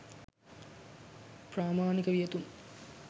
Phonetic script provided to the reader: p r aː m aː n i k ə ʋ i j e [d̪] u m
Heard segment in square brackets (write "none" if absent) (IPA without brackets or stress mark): t̪